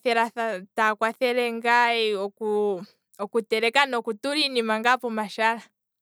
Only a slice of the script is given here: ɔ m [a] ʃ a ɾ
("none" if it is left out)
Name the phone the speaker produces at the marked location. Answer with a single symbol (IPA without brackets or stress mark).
a